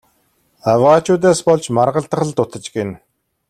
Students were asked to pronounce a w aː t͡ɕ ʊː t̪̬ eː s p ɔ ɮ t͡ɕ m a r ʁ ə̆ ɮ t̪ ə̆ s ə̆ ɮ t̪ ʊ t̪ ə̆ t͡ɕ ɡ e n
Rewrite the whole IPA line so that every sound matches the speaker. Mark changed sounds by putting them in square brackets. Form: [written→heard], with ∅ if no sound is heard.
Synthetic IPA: a w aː t͡ɕ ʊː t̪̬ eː s p ɔ ɮ t͡ɕ m a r ʁ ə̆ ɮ t̪ ə̆ [s→χ] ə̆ ɮ t̪ ʊ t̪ ə̆ t͡ɕ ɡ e n